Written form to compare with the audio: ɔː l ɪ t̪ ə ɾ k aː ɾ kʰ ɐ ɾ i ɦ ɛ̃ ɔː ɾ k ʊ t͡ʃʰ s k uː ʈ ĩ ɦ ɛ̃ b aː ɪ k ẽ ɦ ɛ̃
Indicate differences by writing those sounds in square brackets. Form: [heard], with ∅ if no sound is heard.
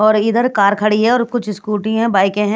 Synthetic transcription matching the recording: ɔː [ɾ] ɪ [d̪] ə ɾ k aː ɾ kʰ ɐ [ɽ] i ɦ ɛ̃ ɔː ɾ k ʊ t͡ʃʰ s k uː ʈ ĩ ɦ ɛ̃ b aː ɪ k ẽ ɦ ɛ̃